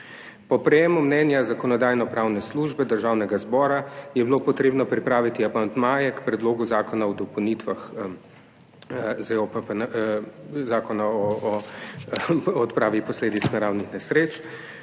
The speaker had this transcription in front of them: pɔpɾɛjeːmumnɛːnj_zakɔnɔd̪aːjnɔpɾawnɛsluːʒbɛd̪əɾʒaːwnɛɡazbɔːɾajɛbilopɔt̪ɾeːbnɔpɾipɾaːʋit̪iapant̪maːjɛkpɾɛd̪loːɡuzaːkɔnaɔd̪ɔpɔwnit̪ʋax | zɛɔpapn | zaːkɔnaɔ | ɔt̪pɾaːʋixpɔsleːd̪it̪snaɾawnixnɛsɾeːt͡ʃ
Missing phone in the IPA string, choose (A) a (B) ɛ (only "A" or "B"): A